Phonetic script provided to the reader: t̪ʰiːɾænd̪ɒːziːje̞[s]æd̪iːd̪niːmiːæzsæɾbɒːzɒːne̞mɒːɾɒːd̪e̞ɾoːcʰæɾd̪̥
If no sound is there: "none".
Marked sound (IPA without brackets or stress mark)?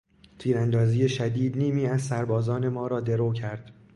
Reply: ʃ